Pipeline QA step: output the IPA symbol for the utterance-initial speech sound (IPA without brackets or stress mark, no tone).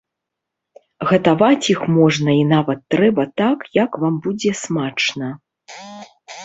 ɣ